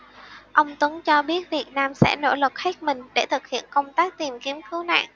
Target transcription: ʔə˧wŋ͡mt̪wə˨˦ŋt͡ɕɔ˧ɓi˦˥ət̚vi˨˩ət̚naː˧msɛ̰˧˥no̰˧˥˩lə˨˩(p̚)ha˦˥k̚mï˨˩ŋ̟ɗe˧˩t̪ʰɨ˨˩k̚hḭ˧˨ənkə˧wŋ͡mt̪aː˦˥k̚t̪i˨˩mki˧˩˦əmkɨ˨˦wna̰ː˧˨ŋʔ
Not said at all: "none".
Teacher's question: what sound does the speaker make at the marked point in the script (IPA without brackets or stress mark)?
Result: t̚